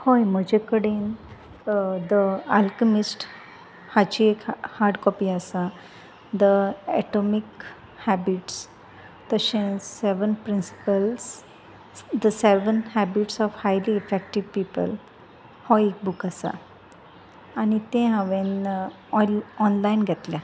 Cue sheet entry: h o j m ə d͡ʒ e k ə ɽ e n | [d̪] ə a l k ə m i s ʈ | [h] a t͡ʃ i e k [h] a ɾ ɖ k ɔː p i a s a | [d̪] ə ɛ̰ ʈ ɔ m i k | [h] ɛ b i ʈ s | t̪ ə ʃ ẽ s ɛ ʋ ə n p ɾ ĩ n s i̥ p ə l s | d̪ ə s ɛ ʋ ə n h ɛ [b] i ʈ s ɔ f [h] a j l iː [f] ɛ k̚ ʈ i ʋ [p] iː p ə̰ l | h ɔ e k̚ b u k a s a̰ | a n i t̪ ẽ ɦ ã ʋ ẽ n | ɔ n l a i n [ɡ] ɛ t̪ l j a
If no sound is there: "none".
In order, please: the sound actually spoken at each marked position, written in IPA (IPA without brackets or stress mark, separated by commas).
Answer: d̪, h, h, d̪, h, b, h, f, p, ɡ